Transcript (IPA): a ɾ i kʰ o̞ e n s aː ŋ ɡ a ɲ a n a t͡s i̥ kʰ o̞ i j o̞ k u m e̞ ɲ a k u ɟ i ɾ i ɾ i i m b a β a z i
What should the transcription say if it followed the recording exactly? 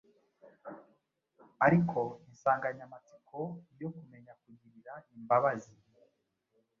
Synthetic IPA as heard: a ɾ i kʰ o̞ i n s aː ŋ ɡ a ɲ a m a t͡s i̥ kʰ o̞ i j o̞ k u m e̞ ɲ a k u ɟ i ɾ i ɾ a i m b a β a z i